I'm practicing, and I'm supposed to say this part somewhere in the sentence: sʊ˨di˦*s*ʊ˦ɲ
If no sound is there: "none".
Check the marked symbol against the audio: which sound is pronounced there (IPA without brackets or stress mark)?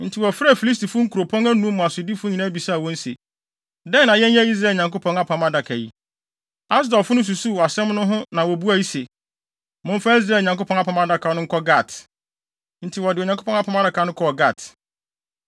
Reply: f